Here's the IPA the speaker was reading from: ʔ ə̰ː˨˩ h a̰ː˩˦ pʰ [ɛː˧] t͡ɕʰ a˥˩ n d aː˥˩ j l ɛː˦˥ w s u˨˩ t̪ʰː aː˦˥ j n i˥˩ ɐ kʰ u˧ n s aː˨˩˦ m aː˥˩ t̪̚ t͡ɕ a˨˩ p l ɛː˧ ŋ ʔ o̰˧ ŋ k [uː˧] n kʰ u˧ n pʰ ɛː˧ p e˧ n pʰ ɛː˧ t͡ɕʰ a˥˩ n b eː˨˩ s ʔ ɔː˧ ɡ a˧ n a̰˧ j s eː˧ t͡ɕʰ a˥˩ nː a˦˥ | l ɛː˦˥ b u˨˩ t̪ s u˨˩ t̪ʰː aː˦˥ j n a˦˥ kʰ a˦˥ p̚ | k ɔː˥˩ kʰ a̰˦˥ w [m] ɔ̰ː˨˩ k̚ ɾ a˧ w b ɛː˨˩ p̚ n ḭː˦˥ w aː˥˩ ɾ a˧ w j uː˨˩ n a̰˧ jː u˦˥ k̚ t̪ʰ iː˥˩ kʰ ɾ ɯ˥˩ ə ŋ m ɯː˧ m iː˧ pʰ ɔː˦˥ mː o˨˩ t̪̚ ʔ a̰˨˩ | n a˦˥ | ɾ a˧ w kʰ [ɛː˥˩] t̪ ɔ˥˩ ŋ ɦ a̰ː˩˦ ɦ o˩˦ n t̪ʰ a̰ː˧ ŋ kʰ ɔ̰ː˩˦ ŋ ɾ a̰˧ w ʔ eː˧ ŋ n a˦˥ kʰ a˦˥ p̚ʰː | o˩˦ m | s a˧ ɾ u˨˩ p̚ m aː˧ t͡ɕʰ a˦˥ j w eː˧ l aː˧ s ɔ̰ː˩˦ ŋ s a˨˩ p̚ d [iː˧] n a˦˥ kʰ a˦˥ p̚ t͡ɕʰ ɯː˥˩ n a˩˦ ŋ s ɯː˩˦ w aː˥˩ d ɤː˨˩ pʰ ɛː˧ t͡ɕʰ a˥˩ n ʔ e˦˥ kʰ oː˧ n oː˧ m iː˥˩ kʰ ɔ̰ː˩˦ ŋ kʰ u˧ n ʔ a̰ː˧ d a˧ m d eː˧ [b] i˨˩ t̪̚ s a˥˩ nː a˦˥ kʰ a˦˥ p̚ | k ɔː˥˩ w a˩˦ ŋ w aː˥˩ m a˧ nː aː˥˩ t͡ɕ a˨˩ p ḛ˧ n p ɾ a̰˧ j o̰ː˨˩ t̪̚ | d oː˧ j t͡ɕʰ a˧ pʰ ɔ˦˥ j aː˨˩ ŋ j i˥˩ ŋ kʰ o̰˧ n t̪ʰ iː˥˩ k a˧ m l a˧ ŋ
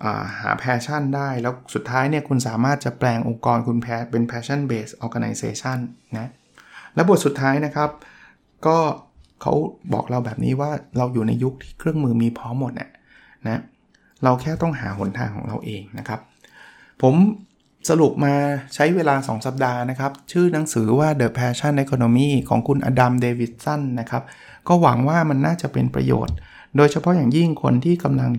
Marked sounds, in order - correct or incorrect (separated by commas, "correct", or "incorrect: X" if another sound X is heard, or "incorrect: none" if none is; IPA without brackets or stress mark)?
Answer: correct, incorrect: ɔː˧, incorrect: b, correct, incorrect: aː˧, incorrect: w